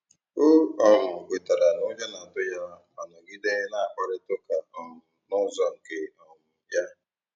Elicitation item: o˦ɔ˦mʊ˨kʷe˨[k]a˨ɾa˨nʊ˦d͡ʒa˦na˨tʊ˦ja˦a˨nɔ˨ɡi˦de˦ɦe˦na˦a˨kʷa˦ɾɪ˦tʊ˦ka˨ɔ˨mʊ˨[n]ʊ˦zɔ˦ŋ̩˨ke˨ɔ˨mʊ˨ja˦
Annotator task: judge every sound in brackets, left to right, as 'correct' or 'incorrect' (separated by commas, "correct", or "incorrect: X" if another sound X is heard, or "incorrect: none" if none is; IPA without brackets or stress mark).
incorrect: t, correct